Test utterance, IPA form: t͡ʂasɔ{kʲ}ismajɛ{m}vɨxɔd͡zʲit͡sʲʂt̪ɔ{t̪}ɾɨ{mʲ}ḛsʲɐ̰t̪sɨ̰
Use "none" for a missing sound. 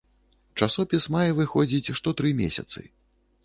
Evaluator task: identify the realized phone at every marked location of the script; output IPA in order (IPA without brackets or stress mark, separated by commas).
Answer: pʲ, none, t̪, mʲ